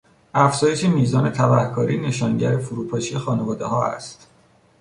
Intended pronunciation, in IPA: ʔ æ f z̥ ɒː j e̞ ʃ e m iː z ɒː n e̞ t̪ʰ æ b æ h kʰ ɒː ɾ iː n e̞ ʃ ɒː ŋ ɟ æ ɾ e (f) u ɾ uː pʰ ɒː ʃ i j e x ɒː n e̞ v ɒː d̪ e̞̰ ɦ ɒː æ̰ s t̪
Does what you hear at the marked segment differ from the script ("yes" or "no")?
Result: no